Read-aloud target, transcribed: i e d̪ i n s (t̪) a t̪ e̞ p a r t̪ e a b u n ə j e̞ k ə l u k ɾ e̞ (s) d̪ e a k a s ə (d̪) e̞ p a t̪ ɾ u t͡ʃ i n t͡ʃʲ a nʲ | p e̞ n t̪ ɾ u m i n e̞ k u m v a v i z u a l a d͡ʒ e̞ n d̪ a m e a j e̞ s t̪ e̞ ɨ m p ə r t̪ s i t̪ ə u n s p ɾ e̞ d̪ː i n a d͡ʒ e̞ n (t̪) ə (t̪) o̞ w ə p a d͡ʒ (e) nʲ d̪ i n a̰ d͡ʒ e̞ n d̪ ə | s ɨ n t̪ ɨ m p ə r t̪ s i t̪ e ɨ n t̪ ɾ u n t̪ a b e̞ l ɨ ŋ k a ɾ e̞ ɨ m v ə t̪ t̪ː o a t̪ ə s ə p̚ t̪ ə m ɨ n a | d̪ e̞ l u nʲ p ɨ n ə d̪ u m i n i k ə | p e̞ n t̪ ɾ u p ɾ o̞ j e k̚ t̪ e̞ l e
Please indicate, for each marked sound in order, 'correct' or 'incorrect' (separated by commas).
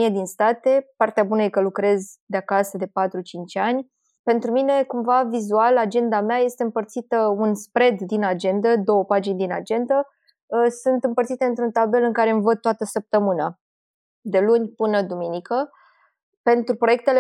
correct, incorrect, correct, incorrect, incorrect, incorrect